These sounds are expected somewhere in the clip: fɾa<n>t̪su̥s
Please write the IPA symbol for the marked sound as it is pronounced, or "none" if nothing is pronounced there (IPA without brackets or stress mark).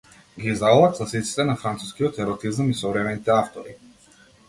n